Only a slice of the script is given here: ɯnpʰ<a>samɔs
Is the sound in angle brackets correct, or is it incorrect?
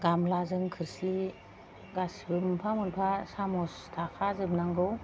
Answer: correct